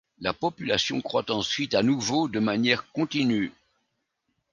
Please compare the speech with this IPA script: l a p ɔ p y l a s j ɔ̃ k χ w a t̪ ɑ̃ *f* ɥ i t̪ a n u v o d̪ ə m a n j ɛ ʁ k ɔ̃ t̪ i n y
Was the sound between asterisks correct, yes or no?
no